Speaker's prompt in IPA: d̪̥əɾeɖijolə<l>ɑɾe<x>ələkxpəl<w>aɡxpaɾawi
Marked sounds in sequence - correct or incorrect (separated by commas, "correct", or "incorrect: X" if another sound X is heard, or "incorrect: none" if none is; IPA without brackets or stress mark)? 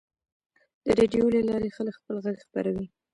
correct, correct, incorrect: ɣ